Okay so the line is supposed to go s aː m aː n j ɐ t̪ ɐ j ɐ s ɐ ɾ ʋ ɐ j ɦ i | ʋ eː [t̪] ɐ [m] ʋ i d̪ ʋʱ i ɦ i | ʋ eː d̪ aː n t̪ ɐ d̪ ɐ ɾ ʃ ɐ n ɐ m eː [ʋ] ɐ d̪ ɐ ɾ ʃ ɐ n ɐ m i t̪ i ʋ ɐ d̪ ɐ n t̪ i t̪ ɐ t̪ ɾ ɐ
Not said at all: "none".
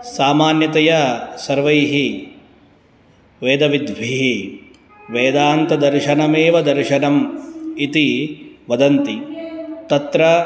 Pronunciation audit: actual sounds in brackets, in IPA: d̪, none, ʋ

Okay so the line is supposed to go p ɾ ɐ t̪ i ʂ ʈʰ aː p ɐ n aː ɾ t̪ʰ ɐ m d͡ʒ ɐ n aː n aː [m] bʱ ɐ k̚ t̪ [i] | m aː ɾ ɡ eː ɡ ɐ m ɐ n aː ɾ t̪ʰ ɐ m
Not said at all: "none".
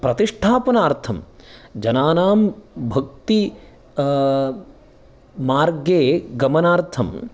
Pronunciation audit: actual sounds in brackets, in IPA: m, i

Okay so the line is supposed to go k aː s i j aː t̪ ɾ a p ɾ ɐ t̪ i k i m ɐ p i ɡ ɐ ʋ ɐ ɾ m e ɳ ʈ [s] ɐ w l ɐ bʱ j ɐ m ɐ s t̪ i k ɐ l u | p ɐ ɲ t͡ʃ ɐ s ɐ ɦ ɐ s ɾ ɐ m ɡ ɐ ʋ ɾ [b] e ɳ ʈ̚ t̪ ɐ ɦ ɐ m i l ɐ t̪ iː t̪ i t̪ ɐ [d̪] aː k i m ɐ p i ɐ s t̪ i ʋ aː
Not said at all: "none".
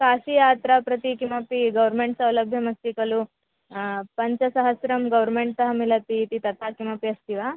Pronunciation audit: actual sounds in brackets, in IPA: s, m, t̪

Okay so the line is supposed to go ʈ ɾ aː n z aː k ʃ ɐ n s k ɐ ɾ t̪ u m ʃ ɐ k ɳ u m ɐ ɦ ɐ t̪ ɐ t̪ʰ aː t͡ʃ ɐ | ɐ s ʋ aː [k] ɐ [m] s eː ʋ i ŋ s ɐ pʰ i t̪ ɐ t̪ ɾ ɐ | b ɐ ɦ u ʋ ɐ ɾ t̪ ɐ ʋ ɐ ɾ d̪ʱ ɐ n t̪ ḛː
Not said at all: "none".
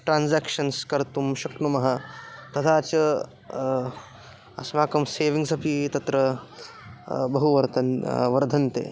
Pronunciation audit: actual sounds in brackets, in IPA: k, m

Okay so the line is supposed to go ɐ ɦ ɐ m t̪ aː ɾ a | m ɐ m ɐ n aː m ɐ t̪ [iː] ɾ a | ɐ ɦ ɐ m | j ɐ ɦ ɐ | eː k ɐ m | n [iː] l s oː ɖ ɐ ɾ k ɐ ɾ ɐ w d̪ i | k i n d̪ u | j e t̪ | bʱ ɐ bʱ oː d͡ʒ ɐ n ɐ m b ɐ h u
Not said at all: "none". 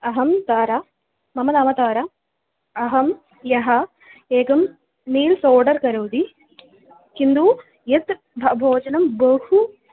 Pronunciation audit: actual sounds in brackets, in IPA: aː, iː

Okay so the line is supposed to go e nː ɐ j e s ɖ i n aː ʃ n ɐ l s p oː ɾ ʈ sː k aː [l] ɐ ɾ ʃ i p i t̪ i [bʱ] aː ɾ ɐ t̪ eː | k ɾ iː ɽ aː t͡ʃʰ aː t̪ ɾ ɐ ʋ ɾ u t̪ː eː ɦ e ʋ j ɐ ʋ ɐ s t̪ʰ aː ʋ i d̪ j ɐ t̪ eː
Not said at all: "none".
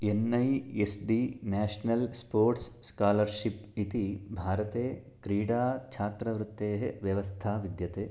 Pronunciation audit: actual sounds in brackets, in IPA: l, bʱ

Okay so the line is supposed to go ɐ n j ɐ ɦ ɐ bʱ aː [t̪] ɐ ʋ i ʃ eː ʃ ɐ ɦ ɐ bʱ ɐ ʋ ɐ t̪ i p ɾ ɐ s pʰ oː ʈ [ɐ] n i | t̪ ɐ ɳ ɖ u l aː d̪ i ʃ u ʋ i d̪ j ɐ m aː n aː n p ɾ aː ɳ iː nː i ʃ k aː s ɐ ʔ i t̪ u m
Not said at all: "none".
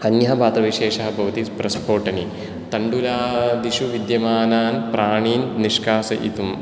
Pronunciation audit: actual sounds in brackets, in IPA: t̪, ɐ

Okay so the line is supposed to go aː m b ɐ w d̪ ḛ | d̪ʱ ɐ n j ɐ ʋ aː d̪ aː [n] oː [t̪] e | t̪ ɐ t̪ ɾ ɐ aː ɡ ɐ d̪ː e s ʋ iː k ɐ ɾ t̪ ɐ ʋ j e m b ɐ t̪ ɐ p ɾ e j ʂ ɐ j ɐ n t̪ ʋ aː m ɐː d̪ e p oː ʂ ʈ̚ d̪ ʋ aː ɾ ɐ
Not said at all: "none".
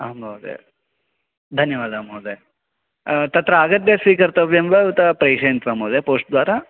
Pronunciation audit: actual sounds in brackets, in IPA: m, d̪

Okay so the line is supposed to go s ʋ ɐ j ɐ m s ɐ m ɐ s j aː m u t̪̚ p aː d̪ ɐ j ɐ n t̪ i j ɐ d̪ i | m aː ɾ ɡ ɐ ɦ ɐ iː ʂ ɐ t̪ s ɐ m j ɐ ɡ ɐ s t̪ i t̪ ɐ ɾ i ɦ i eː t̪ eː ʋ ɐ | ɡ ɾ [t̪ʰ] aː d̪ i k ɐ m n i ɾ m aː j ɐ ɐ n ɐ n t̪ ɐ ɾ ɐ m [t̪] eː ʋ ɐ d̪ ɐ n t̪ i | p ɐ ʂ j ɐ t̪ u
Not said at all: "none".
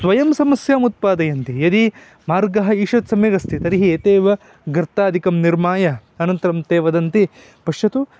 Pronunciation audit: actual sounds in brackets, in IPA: t̪, t̪

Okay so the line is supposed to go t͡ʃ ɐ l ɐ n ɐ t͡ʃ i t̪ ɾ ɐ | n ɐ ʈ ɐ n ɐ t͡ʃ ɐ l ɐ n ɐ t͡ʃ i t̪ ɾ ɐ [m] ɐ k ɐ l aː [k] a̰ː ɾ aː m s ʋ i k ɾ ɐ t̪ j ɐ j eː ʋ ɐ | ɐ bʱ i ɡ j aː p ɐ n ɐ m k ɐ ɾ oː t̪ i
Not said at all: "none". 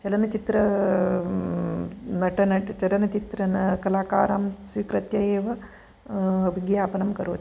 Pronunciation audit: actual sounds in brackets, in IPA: n, k

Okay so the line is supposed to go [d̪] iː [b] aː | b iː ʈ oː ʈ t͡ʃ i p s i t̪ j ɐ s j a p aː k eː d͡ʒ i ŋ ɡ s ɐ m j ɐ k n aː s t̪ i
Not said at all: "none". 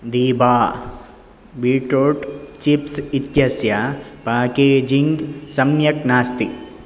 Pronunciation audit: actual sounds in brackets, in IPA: d̪, b

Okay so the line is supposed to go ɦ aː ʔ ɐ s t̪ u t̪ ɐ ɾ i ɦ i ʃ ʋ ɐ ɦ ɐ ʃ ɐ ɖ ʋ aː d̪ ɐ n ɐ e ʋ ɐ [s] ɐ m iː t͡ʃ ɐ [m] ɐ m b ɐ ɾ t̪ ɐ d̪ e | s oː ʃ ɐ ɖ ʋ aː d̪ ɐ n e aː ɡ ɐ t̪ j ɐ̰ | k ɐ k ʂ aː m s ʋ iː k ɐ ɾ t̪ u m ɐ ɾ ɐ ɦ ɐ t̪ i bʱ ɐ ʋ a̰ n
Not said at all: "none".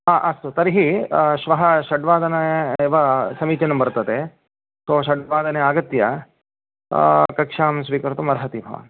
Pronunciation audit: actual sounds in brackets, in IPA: s, n

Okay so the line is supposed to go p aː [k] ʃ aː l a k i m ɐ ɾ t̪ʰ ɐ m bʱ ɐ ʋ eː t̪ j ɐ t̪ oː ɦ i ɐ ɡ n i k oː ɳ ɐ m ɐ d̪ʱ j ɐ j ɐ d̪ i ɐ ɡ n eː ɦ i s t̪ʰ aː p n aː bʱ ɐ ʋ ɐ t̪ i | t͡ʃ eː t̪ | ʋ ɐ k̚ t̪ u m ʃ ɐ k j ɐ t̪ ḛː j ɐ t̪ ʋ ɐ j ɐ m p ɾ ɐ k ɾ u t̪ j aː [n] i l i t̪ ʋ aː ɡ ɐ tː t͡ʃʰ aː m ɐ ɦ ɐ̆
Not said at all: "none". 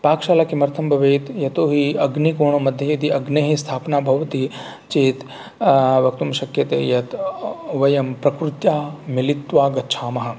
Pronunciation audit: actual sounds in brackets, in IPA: k, m

